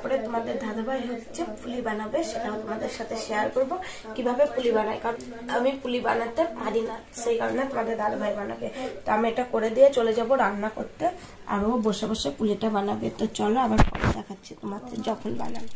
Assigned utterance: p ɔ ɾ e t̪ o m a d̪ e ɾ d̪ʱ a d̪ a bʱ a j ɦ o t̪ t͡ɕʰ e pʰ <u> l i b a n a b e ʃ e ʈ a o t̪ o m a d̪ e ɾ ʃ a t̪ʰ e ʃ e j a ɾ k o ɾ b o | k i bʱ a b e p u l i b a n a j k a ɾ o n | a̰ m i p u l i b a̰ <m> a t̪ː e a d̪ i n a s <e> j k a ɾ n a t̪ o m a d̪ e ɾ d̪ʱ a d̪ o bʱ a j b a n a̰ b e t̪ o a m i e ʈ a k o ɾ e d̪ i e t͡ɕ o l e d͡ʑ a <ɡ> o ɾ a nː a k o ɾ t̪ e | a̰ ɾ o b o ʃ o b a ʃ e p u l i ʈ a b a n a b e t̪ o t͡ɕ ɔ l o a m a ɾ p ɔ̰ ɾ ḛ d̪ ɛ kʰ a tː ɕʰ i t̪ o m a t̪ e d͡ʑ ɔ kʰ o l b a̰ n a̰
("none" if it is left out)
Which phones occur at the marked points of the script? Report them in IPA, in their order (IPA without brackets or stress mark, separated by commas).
u, n, e, b